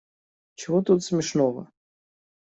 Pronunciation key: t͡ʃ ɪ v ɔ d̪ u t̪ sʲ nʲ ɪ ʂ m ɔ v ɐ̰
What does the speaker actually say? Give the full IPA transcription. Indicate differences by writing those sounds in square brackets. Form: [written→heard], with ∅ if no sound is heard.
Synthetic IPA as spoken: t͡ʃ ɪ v ɔ [d̪→t̪] u t̪ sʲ [nʲ→mʲ] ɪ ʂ [m→n] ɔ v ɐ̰